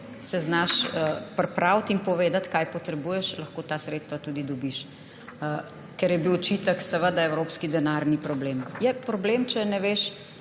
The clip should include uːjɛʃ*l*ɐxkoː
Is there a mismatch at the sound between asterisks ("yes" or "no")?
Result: no